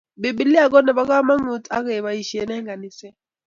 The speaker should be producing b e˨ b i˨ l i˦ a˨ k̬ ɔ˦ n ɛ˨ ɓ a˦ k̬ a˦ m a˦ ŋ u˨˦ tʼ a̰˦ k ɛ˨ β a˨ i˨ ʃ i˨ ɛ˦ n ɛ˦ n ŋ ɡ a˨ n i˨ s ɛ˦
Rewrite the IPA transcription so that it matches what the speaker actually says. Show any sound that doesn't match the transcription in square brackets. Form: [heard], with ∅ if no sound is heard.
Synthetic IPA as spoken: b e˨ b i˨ l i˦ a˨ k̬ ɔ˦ n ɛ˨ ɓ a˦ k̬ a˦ m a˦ ŋ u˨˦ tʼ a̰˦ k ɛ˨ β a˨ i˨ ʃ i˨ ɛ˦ n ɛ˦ [∅] ŋ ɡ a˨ n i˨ s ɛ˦